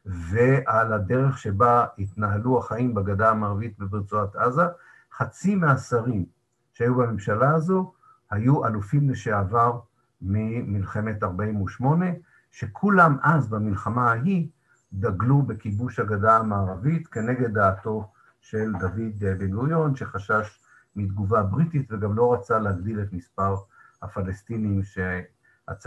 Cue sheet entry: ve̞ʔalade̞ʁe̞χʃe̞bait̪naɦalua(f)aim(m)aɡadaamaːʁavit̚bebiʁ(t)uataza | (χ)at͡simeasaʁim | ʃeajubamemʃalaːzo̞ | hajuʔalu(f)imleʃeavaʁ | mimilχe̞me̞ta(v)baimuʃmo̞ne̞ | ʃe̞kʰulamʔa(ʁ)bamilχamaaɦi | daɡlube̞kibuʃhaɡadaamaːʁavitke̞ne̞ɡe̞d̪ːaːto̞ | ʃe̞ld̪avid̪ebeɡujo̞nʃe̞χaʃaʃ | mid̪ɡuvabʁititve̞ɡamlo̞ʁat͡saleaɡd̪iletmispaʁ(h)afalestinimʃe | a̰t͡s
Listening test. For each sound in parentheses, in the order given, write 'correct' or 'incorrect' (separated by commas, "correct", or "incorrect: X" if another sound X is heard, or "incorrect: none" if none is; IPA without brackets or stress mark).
incorrect: χ, incorrect: b, incorrect: t͡s, correct, correct, incorrect: ʁ, incorrect: z, correct